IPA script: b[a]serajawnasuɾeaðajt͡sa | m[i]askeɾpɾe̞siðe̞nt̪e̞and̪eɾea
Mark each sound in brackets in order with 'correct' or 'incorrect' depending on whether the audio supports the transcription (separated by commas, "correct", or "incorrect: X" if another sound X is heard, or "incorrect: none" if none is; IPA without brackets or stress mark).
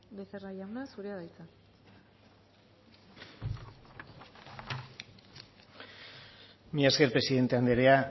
incorrect: e, correct